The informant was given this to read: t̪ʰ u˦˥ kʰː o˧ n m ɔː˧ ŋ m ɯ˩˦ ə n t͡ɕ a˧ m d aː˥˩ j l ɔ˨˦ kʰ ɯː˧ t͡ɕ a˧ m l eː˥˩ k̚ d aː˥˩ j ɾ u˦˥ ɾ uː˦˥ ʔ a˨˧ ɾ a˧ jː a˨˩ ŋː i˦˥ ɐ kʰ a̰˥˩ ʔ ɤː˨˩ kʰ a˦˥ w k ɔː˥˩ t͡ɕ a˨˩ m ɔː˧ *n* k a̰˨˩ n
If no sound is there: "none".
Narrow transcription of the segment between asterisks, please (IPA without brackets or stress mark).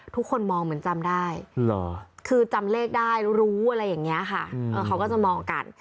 ŋ